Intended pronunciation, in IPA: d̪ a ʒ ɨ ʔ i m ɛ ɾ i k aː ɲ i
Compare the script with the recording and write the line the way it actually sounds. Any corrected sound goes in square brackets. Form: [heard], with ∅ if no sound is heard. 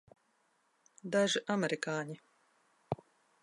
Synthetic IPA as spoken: d̪ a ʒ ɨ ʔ [a] m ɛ ɾ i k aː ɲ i